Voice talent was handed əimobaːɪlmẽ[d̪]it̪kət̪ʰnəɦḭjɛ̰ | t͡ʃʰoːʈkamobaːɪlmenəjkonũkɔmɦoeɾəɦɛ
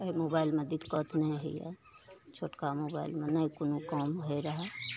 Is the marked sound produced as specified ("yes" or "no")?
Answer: yes